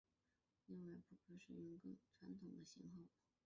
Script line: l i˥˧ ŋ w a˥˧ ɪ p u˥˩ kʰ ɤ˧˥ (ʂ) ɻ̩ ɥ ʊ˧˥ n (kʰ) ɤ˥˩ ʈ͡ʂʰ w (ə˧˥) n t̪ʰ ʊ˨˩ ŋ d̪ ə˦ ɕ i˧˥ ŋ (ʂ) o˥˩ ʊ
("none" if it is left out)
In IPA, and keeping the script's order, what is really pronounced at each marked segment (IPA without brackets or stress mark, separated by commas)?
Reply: ʂ, k, a˧˥, x